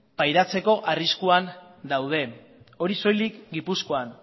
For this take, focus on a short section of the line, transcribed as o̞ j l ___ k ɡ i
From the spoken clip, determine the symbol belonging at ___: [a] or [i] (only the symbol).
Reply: i